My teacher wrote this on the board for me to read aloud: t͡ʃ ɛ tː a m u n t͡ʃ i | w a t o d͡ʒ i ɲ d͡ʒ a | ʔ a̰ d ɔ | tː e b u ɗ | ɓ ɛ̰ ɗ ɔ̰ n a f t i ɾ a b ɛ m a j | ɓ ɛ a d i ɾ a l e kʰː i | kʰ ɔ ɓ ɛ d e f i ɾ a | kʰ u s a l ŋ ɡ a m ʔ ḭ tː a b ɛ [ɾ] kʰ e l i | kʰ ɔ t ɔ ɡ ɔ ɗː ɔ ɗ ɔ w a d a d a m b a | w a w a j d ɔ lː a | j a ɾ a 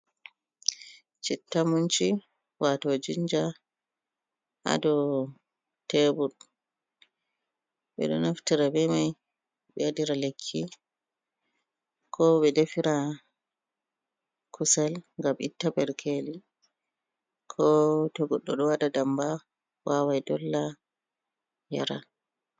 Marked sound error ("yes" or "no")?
no